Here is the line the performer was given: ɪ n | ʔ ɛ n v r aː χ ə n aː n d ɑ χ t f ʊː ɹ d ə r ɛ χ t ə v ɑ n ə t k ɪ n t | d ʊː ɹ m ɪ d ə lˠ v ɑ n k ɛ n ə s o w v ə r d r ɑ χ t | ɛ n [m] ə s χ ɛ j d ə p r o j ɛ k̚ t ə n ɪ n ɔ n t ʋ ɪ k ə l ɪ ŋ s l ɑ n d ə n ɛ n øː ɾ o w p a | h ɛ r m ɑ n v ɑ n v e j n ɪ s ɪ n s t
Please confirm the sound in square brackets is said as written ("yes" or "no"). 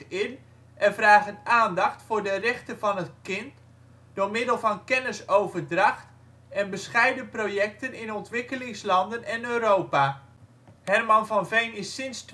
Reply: no